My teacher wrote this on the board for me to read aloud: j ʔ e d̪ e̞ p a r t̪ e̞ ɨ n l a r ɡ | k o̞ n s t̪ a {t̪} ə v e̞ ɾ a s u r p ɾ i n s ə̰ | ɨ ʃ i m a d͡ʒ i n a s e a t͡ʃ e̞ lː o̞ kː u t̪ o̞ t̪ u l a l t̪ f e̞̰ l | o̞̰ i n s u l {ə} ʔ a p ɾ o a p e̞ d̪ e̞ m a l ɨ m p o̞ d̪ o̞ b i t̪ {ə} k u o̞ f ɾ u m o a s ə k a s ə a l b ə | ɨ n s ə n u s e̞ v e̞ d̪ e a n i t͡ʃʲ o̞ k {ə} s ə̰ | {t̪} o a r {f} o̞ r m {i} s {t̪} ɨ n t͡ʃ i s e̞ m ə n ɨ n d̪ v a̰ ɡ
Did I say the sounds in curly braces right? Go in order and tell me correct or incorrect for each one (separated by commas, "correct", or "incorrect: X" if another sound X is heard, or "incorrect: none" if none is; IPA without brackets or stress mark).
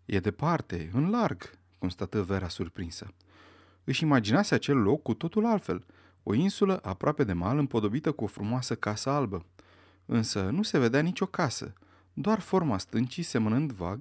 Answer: correct, correct, correct, incorrect: a, incorrect: d̪, correct, incorrect: a, correct